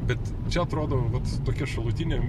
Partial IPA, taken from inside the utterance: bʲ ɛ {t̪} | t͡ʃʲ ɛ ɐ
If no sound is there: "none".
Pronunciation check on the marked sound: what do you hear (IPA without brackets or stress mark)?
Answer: t̪